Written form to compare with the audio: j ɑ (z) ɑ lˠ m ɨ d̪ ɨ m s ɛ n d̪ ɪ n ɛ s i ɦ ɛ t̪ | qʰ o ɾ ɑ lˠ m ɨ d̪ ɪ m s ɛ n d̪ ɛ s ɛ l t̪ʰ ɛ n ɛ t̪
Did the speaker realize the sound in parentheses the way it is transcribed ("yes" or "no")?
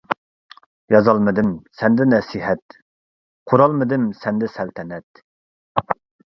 yes